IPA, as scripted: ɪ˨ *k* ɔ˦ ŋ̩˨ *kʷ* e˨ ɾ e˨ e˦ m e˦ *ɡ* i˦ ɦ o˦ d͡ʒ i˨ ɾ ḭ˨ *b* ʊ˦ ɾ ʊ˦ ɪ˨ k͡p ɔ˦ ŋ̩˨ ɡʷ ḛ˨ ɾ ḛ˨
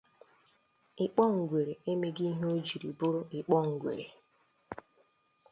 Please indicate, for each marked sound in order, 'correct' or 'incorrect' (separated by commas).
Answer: incorrect, incorrect, correct, correct